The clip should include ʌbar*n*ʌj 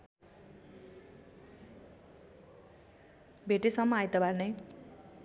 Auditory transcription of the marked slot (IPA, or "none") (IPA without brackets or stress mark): n